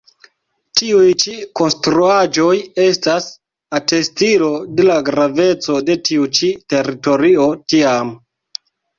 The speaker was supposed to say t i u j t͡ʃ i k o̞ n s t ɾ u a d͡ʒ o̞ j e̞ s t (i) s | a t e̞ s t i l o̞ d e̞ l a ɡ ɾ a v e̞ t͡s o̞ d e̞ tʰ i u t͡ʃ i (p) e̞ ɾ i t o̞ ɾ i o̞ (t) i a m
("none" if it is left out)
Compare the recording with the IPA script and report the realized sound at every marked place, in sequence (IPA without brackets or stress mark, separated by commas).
a, t, t